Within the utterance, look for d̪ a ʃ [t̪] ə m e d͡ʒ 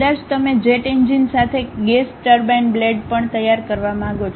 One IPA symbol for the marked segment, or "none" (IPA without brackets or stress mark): t̪